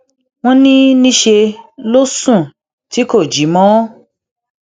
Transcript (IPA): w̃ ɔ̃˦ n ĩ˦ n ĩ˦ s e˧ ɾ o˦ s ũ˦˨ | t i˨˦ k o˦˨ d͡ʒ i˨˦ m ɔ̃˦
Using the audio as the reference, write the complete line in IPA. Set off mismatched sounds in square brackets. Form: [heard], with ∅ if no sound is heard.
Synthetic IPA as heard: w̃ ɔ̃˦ n ĩ˦ n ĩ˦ [ʃ] e˧ [l] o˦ s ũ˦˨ | t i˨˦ k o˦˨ d͡ʒ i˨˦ m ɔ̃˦

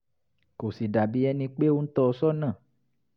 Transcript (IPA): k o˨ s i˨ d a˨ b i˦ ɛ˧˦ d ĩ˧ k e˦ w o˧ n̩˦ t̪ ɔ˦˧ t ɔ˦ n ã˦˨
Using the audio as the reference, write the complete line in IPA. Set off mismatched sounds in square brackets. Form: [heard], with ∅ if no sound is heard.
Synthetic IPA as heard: k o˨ s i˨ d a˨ b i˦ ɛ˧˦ [n] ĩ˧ [k͡p] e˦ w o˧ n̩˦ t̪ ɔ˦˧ [s] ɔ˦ n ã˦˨

